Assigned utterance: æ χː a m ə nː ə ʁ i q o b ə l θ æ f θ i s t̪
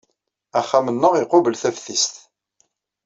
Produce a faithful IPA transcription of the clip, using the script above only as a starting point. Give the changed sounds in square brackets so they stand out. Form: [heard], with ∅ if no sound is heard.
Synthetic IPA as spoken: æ χː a m ə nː ə ʁ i q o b ə l θ æ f θ i s t̪